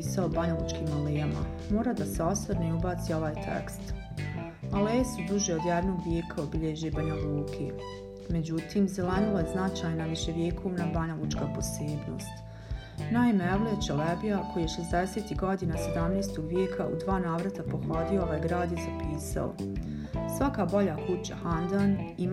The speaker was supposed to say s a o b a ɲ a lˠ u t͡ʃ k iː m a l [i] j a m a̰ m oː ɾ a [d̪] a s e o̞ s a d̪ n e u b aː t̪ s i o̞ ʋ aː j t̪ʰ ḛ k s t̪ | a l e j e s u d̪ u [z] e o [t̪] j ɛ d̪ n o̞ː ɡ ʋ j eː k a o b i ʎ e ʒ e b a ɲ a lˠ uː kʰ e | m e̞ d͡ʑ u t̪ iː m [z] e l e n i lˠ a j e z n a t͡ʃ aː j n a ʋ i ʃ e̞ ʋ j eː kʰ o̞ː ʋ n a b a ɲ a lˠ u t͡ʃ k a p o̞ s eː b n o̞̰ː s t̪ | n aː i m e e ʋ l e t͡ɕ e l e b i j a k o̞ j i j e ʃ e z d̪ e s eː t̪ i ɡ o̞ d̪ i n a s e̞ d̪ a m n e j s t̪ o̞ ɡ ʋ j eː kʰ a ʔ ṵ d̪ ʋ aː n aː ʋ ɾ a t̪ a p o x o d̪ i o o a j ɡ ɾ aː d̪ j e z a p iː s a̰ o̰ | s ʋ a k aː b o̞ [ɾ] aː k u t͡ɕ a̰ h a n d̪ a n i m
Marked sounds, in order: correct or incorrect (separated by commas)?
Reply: incorrect, correct, incorrect, incorrect, correct, incorrect